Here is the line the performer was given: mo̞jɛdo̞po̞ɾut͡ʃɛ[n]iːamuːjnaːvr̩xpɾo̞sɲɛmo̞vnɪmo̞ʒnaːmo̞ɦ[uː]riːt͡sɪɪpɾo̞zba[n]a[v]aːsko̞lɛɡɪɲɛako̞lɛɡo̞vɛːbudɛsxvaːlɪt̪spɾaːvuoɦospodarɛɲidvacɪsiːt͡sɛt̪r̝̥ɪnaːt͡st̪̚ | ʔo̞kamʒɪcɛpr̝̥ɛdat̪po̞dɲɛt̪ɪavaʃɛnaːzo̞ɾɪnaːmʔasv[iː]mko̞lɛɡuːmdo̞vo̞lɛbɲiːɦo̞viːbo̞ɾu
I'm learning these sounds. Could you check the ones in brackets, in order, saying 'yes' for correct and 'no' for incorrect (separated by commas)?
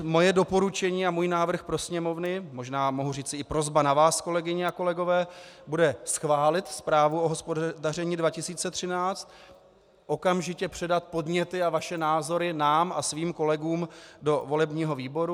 no, no, yes, yes, yes